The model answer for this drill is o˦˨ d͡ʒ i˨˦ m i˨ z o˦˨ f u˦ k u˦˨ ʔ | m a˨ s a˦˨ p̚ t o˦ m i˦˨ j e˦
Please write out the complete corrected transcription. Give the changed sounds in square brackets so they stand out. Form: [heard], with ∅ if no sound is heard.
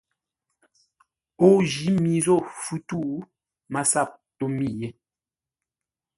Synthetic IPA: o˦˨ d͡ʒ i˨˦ m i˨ z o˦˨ f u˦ [t] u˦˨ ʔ | m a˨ s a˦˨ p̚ t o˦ m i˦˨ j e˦

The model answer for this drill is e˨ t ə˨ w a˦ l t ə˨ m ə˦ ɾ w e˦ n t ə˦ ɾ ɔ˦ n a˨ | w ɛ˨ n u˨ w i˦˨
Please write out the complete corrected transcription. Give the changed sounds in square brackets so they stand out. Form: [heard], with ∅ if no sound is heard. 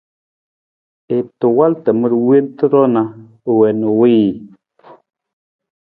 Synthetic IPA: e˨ t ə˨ w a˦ l t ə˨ m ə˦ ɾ w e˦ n t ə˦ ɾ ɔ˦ n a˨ | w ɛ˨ n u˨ w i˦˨

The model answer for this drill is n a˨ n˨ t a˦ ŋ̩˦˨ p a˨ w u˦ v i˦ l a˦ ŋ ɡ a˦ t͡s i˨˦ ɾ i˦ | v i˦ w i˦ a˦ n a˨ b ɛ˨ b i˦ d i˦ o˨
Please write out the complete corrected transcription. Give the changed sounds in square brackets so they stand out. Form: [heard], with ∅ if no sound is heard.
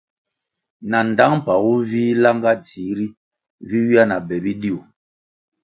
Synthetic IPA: n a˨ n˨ [d] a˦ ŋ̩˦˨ p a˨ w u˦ v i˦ l a˦ ŋ ɡ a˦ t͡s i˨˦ ɾ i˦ | v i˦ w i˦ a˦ n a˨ b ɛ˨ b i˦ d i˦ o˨

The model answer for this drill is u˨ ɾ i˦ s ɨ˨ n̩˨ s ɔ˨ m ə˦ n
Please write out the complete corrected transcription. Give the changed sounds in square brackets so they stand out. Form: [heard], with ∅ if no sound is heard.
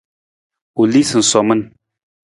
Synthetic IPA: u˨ [l] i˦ s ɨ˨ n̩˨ s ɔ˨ m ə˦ n

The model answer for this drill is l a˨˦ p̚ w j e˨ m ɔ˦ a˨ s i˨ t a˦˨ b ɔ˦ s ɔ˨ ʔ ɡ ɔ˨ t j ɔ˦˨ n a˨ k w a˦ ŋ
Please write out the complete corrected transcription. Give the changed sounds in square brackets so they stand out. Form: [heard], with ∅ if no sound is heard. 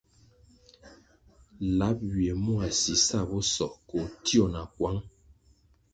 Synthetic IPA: l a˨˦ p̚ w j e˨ m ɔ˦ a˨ s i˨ [s] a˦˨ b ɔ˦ s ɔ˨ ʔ [k] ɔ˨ t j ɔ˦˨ n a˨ k w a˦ ŋ

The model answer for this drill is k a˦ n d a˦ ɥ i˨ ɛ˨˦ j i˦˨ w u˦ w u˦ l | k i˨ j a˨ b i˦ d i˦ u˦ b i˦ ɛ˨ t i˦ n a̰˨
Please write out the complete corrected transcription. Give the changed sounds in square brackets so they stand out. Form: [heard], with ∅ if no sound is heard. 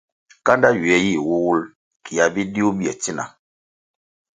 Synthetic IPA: k a˦ n d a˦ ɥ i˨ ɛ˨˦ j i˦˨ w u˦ w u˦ l | k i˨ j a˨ b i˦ d i˦ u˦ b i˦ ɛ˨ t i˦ n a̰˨

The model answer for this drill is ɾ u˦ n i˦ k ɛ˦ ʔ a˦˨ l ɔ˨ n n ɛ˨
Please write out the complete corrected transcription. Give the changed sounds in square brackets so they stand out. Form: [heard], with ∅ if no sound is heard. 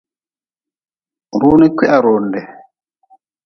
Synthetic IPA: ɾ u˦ n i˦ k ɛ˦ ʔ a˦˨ [ɾ] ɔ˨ n [d] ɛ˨

